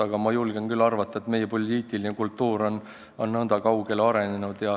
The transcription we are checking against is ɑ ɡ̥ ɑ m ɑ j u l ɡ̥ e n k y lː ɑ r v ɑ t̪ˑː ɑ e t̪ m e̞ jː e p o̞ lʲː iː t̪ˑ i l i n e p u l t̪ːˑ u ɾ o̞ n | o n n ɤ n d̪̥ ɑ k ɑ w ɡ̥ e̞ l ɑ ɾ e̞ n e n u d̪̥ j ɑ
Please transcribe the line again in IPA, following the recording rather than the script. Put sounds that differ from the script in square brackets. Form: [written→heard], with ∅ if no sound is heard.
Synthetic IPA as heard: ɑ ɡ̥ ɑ m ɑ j u l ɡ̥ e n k y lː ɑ r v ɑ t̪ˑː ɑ e t̪ m e̞ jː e p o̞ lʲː iː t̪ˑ i l i n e [p→k] u l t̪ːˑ [u→uː] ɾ o̞ n | o n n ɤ n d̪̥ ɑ k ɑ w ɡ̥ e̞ l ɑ ɾ e̞ n e n u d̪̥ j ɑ